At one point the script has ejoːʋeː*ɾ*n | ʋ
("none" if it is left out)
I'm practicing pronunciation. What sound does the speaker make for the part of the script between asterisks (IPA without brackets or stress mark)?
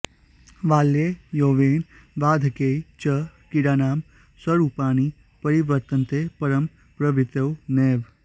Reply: none